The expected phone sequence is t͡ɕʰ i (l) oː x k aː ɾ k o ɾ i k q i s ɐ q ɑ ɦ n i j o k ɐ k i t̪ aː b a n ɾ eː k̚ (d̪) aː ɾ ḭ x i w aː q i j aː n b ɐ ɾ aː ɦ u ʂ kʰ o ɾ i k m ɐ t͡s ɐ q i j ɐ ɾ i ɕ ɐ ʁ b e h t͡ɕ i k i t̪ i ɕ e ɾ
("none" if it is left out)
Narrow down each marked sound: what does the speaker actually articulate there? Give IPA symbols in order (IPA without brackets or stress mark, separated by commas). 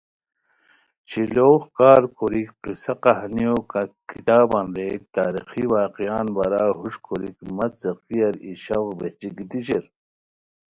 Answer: l, t̪